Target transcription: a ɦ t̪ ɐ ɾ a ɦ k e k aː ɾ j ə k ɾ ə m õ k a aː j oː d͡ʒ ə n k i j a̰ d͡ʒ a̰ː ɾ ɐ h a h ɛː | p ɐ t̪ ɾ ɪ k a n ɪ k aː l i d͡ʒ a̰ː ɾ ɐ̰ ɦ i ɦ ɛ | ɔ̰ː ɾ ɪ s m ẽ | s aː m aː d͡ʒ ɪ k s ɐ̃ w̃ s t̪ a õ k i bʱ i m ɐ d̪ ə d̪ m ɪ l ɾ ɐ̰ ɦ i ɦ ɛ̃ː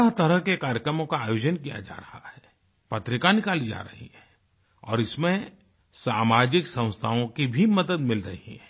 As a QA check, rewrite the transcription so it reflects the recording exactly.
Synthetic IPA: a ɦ t̪ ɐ ɾ ə ɦ k e k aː ɾ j ə k ɾ ə m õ k a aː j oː d͡ʒ ə n k i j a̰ d͡ʒ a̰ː ɾ ɐ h a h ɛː | p ɐ t̪ ɾ ɪ k a n ɪ k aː l i d͡ʒ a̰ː ɾ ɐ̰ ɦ i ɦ ɛ | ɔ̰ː ɾ ɪ s m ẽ | s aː m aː d͡ʒ ɪ k s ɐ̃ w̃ s t̪ʰ a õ k i bʱ i m ɐ d̪ ə d̪ m ɪ l ɾ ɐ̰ ɦ i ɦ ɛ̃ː